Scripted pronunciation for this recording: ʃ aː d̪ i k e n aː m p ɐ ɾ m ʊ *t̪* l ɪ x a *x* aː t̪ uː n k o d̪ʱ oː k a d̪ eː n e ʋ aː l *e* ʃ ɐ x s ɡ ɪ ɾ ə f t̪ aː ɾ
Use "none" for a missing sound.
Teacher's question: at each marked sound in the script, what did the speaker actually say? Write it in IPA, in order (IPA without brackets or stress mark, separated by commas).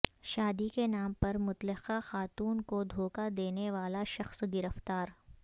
t̪, x, a